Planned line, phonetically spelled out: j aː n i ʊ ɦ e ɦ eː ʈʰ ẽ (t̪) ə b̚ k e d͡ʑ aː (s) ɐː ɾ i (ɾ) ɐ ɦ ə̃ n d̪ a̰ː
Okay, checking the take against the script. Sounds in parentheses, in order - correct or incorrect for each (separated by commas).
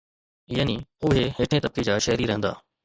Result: correct, incorrect, correct